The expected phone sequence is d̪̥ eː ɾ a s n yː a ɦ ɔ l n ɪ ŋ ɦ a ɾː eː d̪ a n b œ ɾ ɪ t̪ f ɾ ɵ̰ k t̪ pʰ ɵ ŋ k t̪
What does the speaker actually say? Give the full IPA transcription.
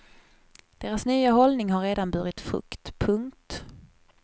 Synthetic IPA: d̪̥ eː ɾ a s n yː a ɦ ɔ l n ɪ ŋ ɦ a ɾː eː d̪ a n b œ ɾ ɪ t̪ f ɾ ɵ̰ k t̪ pʰ ɵ ŋ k t̪

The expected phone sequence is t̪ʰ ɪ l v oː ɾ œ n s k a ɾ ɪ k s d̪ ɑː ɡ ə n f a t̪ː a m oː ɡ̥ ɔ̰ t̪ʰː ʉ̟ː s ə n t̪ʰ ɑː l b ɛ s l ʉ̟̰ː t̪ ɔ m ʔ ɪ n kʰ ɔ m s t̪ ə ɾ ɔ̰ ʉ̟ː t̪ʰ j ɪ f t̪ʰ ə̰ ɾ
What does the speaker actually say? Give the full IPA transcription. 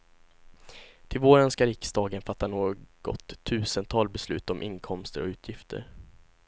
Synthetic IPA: t̪ʰ ɪ l v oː ɾ œ n s k a ɾ ɪ k s d̪ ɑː ɡ ə n f a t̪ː a n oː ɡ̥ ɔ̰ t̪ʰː ʉ̟ː s ə n t̪ʰ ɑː l b ɛ s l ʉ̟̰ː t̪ ɔ m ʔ ɪ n kʰ ɔ m s t̪ ə ɾ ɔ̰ ʉ̟ː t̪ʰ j ɪ f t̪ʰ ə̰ ɾ

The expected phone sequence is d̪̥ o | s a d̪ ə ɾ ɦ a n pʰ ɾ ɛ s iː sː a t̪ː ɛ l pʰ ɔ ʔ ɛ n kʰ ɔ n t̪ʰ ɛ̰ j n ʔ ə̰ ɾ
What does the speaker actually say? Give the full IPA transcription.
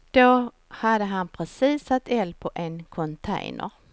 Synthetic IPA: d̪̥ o | h a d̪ ə ɦ a n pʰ ɾ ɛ s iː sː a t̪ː ɛ l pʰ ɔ ʔ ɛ n kʰ ɔ n t̪ʰ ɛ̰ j n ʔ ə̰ ɾ

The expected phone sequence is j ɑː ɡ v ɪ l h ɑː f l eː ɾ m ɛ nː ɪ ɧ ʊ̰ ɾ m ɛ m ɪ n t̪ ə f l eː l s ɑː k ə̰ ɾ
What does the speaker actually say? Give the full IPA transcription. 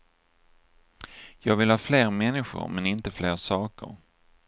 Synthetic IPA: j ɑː ɡ v ɪ l h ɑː f l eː ɾ m ɛ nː ɪ ɧ ʊ̰ ɾ m ɛ n ɪ n t̪ ə f l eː ɾ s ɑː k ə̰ ɾ

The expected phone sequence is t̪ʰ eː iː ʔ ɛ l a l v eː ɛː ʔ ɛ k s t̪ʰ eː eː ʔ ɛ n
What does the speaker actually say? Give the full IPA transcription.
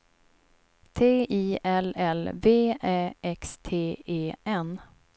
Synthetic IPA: t̪ʰ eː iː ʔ ɛ l ɛ l v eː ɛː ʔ ɛ k s t̪ʰ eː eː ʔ ɛ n

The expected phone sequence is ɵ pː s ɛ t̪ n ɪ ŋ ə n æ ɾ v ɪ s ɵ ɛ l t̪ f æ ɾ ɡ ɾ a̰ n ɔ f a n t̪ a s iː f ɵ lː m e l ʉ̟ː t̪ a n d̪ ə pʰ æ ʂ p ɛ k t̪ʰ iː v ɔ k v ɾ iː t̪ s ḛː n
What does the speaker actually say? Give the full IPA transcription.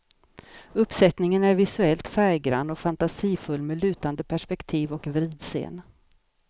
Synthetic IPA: ɵ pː s ɛ t̪ n ɪ ŋ ə n æ ɾ v ɪ s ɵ ɛ l t̪ f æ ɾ ɡ ɾ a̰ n ɔ f a n t̪ a s iː f ɵ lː m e l ʉ̟ː t̪ a n d̪ ə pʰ æ ʂ p ɛ k t̪ʰ iː v ɔ k v ɾ iː d̪ s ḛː n

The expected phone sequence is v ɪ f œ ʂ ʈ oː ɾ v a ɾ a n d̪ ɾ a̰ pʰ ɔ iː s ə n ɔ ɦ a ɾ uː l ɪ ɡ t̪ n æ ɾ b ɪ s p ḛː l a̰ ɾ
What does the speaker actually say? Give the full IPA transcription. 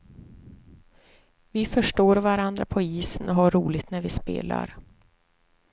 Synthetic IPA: v ɪ f œ ʂ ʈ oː ɾ v a ɾ a n d̪ ɾ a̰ pʰ ɔ iː s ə n ɔ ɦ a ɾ uː l ɪ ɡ t̪ n æ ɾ v ɪ s p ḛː l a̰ ɾ

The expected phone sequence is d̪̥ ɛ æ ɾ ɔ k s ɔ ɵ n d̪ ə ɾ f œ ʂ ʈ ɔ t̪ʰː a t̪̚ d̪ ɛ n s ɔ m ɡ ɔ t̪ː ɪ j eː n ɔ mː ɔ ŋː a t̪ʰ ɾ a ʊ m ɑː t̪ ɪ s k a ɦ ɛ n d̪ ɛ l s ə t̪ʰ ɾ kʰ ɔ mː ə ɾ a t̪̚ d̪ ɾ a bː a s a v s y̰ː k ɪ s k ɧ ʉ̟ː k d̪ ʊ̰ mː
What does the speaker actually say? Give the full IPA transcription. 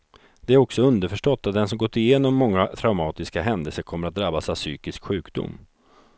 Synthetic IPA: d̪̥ ɛ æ ɾ ɔ k s ɔ ɵ n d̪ ə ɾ f œ ʂ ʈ ɔ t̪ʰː a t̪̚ d̪ ɛ n s ɔ m ɡ ɔ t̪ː ɪ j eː n ɔ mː ɔ ŋː a t̪ʰ ɾ a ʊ m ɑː t̪ ɪ s k a ɦ ɛ n d̪ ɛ l s ə ɾ kʰ ɔ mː ə ɾ a t̪̚ d̪ ɾ a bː a s a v s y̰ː k ɪ s k ɧ ʉ̟ː k d̪ ʊ̰ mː

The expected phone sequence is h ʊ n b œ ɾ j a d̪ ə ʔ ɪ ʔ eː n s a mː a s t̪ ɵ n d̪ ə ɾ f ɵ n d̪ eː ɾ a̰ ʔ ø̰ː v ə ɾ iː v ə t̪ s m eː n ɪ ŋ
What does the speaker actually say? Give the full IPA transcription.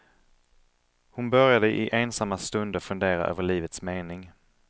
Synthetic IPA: h ʊ n b œ ɾ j a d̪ ə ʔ ɪ ʔ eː n s a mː a s t̪ ɵ n d̪ ə ɾ f ɵ n d̪ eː ɾ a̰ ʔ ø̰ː v ə ɭ iː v ə t̪ s m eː n ɪ ŋ

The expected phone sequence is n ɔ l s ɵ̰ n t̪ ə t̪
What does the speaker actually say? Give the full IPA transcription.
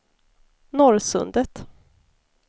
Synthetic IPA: n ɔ ɾ s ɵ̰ n d̪ ə t̪

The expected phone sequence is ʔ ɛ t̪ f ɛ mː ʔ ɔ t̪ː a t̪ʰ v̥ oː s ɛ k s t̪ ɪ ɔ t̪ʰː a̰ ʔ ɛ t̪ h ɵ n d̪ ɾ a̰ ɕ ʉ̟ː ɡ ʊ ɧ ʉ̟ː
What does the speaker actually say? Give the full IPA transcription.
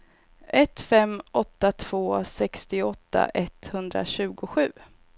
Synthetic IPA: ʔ ɛ t̪ f ɛ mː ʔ ɔ t̪ː a t̪ʰ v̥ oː s ɛ k s t̪ ɪ ɔ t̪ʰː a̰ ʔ ɛ t̪ h ɵ n d̪ ɾ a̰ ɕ ʉ̟ː ɡ ʊ ɧ ʉ̟ː

